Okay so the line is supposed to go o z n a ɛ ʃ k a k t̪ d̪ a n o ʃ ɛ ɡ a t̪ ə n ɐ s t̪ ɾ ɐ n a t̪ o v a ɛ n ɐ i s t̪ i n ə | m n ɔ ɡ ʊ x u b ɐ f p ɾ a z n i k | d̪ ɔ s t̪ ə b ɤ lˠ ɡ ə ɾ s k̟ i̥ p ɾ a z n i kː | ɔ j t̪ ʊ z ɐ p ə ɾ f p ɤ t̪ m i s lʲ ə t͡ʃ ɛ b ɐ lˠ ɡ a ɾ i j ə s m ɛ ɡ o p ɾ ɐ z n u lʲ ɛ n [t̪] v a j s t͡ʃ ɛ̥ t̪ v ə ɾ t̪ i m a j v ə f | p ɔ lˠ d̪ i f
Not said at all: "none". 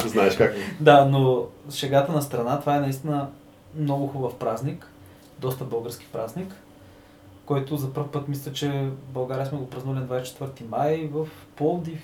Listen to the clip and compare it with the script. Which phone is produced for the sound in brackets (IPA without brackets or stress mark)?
d̪